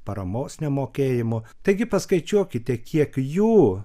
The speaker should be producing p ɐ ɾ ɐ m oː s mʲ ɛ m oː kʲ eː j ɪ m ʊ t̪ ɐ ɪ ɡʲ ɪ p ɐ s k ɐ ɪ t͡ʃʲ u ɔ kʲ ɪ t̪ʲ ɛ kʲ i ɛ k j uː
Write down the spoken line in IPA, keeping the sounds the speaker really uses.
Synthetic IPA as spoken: p ɐ ɾ ɐ m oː s nʲ ɛ m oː kʲ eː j ɪ m ʊ t̪ ɐ ɪ ɡʲ ɪ p ɐ s k ɐ ɪ t͡ʃʲ u ɔ kʲ ɪ t̪ʲ ɛ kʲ i ɛ k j uː